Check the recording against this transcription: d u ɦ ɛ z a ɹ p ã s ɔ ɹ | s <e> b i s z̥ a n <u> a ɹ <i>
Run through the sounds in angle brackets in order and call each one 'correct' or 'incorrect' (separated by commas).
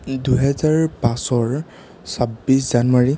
incorrect, incorrect, correct